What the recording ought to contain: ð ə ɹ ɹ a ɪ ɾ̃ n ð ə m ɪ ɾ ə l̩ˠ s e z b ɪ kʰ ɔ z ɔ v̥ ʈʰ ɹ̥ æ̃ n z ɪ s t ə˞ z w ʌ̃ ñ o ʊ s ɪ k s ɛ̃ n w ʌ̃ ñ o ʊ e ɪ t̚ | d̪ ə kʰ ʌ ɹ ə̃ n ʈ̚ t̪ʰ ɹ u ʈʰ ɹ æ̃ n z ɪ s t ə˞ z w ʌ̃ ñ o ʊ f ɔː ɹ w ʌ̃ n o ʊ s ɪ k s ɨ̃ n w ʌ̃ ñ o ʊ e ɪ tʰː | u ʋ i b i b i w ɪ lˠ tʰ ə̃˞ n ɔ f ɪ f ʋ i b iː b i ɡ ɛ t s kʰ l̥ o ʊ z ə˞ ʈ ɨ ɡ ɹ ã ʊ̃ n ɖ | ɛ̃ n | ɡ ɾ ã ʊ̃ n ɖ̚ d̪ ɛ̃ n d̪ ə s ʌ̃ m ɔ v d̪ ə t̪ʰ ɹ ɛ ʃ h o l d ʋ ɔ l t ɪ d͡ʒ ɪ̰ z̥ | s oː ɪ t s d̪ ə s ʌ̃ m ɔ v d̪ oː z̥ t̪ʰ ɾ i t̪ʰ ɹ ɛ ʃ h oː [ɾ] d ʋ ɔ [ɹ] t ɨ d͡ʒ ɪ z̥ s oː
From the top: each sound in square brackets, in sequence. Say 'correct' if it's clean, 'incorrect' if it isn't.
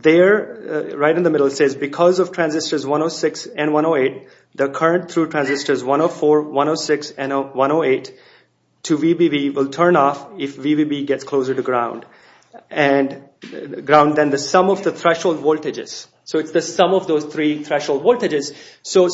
incorrect: l, incorrect: l

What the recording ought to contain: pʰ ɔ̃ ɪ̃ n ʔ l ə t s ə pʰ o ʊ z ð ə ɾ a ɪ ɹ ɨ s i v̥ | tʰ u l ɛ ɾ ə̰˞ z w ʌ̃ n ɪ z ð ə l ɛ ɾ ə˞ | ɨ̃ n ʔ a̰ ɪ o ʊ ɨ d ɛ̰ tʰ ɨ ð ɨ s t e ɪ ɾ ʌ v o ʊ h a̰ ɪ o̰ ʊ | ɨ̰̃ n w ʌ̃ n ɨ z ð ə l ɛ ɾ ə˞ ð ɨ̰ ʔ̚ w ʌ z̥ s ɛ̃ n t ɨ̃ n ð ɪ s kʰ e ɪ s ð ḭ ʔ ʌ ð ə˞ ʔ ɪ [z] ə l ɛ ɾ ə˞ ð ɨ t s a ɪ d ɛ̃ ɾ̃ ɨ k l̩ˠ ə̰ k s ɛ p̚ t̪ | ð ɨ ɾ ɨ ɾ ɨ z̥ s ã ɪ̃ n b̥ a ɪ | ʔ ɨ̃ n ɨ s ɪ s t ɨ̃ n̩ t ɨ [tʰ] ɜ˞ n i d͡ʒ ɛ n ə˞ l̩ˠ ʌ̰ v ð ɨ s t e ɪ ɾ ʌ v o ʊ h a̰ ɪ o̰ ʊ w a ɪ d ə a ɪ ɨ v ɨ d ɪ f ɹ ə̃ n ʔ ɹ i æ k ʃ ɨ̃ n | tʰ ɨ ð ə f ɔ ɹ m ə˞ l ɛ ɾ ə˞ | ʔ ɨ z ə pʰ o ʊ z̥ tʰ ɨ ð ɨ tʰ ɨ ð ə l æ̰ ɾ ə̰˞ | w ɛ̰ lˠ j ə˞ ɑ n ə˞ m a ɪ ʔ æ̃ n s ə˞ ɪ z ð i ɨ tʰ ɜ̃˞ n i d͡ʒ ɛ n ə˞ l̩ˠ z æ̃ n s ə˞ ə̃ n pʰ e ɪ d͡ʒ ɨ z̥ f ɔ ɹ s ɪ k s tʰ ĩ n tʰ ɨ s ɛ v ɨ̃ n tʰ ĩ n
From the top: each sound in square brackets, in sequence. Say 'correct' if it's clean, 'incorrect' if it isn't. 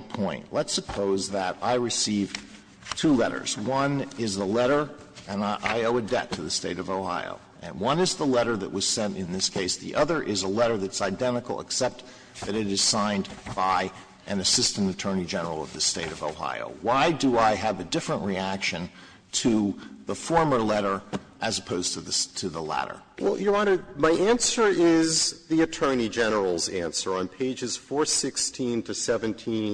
correct, correct

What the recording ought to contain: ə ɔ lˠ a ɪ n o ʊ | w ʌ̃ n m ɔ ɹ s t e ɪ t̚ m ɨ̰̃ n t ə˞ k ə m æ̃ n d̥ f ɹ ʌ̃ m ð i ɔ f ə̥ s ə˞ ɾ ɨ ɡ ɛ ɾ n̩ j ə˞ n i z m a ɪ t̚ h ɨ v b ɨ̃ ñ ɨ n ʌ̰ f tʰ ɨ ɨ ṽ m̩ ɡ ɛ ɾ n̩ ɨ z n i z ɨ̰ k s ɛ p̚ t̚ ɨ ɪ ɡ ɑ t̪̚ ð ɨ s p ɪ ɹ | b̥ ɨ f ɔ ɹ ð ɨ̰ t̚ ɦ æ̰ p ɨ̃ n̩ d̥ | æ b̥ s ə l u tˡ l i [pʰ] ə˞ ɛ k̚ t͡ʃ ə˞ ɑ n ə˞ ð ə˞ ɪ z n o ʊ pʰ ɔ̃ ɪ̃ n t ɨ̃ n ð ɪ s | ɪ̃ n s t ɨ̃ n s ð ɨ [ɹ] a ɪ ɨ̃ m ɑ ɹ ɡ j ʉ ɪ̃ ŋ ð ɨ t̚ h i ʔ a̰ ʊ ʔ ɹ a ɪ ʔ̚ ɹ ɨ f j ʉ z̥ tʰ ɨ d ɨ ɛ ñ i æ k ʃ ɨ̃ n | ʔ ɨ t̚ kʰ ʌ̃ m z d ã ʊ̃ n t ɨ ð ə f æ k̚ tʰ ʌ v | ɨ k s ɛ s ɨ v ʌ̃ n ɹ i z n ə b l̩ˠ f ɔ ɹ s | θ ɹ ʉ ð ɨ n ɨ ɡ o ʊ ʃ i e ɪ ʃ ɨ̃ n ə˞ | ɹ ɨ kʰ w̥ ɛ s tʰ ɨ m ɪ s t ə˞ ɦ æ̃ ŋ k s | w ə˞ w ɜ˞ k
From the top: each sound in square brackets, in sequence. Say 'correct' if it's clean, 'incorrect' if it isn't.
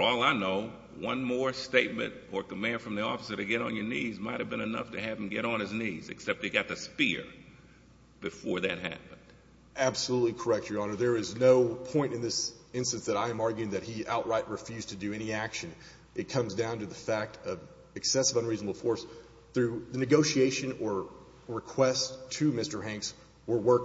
incorrect: kʰ, incorrect: ɾ

